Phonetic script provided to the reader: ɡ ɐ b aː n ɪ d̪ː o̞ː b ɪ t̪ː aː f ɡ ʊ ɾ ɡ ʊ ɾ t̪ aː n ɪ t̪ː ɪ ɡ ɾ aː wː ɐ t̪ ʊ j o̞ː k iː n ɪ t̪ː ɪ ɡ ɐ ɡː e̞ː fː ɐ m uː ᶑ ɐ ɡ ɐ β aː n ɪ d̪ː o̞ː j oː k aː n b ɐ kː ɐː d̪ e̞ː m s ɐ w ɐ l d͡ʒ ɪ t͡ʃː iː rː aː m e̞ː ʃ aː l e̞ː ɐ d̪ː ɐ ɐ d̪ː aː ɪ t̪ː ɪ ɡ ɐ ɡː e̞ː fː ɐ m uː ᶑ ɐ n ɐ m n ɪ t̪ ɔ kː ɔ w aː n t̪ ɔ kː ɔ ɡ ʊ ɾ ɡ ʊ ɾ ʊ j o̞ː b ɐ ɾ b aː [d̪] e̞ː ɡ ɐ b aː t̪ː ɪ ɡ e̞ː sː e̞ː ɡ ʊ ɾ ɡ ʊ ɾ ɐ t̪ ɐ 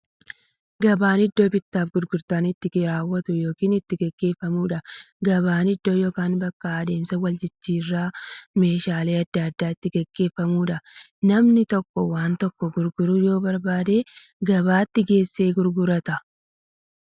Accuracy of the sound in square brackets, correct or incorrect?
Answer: correct